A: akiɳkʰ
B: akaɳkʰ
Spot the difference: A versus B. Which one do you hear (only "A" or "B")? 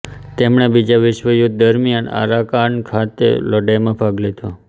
B